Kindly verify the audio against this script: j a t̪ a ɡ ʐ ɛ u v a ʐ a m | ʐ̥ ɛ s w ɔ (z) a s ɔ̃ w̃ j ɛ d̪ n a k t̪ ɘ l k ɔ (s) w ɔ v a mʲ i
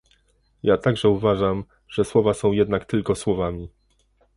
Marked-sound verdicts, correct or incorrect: incorrect: v, correct

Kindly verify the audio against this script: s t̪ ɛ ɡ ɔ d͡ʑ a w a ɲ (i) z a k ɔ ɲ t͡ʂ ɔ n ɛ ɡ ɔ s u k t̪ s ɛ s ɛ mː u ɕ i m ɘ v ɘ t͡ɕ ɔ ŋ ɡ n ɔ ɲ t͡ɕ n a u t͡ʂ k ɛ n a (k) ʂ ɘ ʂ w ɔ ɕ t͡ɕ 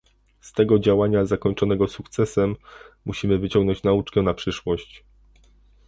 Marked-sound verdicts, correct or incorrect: incorrect: a, incorrect: p

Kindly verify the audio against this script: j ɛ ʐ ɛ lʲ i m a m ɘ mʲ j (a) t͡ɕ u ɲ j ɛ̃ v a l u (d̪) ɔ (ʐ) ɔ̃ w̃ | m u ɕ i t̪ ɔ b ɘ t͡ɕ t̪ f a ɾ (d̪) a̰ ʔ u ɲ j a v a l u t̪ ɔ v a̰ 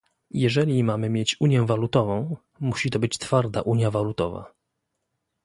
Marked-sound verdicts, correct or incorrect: incorrect: e, incorrect: t̪, incorrect: v, correct

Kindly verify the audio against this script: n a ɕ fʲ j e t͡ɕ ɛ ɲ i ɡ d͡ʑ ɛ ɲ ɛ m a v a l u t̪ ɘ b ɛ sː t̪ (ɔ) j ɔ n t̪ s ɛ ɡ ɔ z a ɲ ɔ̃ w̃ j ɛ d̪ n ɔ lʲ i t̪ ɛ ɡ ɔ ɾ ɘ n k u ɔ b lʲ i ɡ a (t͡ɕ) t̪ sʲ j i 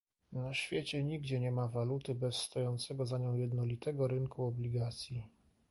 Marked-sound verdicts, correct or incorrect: correct, incorrect: none

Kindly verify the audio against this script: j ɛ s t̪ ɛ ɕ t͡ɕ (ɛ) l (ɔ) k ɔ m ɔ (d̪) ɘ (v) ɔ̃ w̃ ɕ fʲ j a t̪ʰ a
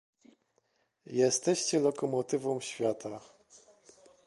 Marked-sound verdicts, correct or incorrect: correct, correct, incorrect: t̪, correct

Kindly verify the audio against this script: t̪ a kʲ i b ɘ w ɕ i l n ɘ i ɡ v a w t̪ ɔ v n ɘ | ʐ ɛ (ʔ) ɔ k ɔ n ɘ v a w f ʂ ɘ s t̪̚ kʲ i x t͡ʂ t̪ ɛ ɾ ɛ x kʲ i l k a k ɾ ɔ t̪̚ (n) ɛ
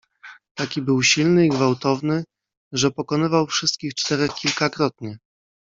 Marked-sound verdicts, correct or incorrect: incorrect: p, incorrect: ɲ

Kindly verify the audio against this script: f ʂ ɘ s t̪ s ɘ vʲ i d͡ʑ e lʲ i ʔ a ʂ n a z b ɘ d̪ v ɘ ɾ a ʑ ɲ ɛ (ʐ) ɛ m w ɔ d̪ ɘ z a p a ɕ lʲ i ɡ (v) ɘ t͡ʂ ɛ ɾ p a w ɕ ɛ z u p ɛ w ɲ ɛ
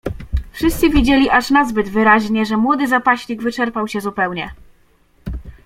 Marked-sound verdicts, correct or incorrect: correct, correct

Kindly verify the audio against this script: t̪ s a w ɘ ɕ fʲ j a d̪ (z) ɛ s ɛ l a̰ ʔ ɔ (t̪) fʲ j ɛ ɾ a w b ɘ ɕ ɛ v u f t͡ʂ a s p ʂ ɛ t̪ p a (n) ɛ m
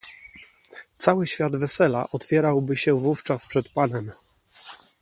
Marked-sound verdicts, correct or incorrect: incorrect: v, correct, correct

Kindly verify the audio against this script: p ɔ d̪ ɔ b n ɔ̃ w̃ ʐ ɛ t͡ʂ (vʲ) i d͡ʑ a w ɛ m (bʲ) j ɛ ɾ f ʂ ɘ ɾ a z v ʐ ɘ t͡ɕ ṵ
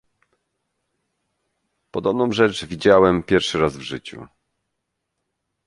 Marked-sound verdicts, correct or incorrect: correct, incorrect: pʲ

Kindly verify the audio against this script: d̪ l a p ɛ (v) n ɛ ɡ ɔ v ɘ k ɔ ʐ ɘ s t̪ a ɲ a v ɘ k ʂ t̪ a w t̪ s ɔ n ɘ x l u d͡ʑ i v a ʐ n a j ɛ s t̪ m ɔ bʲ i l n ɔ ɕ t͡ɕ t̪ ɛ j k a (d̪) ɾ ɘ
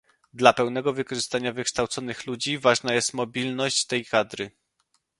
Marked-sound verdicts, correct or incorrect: incorrect: w, correct

